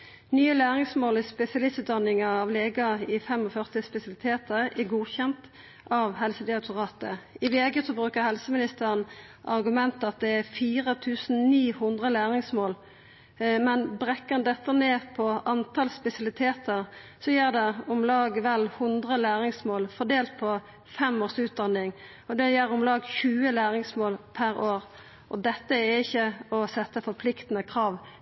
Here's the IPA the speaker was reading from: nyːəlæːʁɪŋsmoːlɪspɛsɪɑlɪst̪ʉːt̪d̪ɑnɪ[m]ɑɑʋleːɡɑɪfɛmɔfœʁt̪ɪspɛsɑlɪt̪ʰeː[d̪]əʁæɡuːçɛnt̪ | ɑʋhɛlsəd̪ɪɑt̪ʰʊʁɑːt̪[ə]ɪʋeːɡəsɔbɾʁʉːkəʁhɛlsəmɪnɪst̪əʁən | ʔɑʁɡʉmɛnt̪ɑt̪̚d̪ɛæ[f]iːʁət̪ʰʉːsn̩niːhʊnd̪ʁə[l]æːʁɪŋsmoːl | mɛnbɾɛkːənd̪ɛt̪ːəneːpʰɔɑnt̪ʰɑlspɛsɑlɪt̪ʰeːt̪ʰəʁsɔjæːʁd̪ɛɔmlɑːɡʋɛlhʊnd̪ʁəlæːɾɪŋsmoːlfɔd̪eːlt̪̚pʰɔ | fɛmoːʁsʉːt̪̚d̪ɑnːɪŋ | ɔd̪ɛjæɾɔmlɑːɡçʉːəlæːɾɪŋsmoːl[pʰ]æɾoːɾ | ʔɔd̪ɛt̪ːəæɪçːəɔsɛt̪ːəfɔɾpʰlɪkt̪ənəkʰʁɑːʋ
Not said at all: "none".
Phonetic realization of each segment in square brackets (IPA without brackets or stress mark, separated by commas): ŋ, t̪, ə, f, l, pʰ